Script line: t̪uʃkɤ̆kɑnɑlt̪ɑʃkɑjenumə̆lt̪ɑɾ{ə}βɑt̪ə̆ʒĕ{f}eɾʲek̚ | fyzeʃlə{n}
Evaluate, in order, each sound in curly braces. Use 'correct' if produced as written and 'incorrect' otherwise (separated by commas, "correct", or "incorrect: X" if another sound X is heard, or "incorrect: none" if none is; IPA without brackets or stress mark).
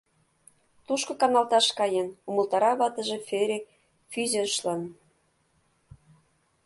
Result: incorrect: ɑ, correct, correct